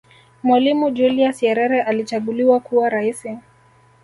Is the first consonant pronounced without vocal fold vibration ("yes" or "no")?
no